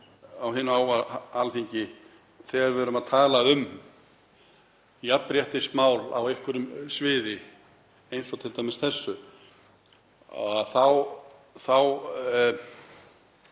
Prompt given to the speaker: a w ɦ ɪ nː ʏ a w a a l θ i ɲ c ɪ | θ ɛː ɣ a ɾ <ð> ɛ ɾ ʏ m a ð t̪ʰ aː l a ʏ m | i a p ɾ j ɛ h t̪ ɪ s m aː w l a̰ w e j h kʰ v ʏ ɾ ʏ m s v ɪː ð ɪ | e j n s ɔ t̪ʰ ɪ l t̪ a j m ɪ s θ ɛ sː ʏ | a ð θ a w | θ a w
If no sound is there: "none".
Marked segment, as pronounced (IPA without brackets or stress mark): v